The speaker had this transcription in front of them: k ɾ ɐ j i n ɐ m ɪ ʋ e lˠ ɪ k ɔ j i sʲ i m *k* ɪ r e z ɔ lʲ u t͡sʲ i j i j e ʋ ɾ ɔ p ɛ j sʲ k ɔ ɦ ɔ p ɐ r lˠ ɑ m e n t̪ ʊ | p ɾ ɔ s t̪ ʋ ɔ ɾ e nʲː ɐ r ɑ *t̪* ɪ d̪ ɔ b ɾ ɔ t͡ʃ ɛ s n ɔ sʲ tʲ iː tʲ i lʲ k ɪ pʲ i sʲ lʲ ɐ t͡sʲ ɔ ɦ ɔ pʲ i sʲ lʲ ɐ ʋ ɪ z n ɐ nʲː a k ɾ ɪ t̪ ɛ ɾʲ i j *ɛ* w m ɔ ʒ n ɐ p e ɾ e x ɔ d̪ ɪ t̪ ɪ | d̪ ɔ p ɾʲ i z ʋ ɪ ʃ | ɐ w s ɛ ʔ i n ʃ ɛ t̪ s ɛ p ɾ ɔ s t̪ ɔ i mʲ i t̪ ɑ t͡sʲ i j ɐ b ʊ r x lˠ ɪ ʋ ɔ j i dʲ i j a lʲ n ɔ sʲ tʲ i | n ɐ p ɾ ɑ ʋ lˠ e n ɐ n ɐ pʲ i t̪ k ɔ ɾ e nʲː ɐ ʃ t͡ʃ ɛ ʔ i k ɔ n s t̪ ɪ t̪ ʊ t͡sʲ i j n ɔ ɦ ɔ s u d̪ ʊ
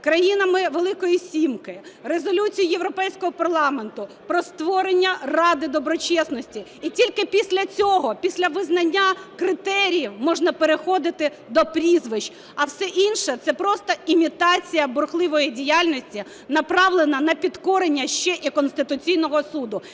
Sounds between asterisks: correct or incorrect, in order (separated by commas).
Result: correct, incorrect, incorrect